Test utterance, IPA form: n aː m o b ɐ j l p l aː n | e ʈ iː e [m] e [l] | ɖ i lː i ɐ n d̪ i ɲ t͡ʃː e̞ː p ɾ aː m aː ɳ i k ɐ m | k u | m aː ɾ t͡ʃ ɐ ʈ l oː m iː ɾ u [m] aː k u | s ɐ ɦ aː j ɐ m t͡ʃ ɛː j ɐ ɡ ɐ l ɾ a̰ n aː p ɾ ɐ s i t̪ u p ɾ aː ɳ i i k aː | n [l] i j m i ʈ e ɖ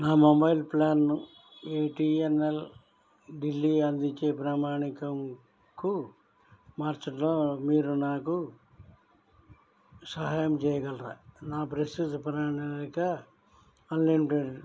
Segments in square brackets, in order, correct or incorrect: incorrect, correct, incorrect, correct

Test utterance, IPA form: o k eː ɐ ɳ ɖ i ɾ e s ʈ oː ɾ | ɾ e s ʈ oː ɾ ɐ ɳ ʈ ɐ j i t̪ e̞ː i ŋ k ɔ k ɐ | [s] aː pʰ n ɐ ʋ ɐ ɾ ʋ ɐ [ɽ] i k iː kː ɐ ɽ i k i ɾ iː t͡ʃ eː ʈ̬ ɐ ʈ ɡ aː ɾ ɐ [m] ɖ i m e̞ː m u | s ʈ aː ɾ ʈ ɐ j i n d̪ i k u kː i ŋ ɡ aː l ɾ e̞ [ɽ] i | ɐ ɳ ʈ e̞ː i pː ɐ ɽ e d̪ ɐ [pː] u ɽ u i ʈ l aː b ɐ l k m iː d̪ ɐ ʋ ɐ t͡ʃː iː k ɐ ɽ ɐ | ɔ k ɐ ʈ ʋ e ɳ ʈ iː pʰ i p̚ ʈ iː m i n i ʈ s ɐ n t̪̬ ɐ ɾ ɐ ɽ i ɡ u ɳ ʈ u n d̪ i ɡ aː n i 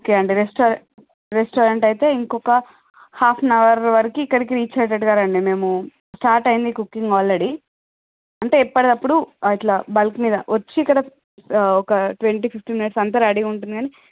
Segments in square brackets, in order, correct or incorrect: incorrect, incorrect, incorrect, correct, correct

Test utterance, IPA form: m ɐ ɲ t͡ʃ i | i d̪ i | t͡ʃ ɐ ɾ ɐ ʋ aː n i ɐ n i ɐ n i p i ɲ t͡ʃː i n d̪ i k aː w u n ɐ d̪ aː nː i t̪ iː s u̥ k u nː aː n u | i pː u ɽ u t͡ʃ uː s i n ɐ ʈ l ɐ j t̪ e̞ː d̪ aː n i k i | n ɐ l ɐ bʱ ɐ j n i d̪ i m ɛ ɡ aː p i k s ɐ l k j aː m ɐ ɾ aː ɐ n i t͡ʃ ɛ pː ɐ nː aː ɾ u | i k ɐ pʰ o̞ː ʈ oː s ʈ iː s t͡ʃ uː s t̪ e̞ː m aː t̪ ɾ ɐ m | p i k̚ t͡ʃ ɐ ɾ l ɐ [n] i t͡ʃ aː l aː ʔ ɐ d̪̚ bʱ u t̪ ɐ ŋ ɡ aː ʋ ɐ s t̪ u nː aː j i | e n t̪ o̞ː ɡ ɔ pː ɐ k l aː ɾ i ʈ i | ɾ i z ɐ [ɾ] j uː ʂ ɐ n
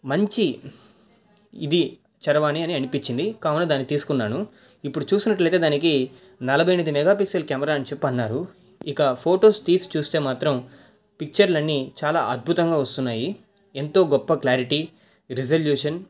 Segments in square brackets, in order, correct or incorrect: incorrect, incorrect

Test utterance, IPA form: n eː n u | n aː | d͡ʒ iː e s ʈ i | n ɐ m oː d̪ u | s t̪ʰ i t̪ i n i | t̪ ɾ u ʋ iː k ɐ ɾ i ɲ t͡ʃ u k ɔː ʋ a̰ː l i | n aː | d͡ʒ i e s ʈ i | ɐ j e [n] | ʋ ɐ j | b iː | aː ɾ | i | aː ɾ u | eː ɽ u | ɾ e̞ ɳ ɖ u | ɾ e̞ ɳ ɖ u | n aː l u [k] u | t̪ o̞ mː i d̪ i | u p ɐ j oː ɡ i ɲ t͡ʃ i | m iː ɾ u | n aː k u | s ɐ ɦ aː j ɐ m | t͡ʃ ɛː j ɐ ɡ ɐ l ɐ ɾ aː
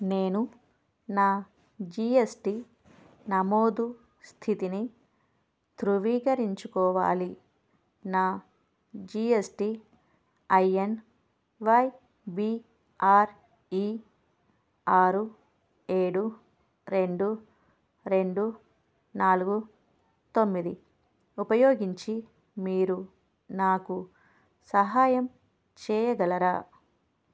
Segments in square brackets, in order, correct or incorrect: correct, incorrect

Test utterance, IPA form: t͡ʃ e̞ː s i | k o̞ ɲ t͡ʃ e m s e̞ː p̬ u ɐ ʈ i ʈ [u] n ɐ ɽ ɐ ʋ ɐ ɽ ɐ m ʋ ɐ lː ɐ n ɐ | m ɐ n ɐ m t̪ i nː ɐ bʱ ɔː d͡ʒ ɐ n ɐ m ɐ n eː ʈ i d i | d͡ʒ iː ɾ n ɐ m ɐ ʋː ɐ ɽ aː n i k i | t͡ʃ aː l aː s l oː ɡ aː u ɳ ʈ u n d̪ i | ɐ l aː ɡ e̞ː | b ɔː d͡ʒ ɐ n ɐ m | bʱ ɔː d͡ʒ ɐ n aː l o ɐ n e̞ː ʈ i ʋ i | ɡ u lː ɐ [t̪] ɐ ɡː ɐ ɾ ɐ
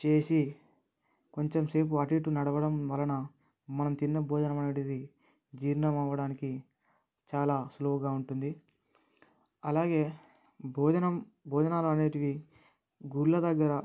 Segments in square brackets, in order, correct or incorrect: correct, incorrect

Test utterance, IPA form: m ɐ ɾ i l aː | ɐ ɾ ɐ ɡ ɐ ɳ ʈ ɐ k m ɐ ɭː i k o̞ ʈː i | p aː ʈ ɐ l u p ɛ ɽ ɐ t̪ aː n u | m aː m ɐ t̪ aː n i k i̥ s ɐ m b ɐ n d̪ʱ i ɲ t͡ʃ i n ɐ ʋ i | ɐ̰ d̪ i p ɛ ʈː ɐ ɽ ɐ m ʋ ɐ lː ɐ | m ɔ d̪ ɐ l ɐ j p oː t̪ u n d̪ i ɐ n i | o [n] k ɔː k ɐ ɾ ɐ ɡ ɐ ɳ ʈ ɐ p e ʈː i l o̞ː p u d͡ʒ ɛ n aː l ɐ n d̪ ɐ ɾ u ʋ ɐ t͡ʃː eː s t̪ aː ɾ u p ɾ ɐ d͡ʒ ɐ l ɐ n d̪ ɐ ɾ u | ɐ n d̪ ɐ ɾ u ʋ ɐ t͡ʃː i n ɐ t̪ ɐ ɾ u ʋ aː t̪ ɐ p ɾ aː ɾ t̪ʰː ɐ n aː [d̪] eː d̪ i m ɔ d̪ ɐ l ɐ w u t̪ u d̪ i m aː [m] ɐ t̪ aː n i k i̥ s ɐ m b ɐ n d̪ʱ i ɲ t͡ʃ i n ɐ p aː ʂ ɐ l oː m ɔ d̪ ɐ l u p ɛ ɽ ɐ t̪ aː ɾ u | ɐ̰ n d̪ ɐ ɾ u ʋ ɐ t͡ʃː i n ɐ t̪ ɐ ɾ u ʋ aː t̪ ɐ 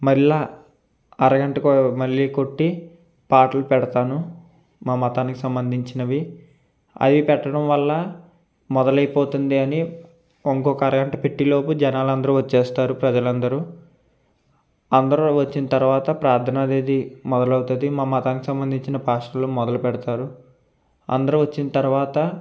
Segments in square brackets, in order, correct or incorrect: incorrect, correct, correct

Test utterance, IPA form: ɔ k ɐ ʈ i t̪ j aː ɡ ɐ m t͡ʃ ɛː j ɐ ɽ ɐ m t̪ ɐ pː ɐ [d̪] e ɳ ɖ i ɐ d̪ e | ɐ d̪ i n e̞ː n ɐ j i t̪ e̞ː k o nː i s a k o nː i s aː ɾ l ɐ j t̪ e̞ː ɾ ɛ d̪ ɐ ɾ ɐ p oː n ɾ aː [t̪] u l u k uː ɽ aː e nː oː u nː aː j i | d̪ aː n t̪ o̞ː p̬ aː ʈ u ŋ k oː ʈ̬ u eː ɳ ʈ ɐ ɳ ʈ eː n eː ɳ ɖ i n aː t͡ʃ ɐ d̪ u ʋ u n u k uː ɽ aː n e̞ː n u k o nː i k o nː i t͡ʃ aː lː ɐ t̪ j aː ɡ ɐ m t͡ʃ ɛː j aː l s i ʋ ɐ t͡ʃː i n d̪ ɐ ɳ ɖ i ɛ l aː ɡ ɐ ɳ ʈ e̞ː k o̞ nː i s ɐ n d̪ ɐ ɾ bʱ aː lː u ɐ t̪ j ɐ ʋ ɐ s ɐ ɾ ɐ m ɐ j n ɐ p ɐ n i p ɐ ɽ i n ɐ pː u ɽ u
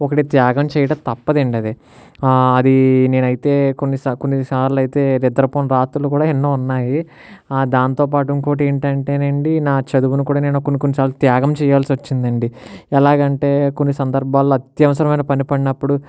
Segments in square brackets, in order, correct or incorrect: correct, correct

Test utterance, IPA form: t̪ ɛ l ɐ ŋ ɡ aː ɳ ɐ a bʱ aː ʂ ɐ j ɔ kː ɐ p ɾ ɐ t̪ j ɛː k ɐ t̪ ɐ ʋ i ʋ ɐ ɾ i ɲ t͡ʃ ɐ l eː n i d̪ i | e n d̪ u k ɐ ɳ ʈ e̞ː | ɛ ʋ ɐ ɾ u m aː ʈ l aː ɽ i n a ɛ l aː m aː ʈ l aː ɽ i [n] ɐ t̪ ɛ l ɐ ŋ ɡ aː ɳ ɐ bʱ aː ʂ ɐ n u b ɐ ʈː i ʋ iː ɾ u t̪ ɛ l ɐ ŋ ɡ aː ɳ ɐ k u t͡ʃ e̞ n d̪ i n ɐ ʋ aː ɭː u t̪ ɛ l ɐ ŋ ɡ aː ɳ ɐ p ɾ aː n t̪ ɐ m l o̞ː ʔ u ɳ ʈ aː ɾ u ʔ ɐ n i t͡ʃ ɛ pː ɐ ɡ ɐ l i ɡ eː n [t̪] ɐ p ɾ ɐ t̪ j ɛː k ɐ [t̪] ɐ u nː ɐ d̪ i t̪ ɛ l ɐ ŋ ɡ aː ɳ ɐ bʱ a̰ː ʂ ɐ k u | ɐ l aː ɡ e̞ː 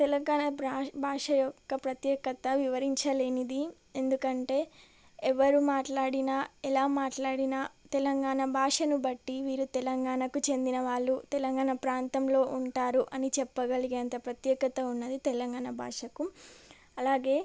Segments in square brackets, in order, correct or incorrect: correct, correct, correct

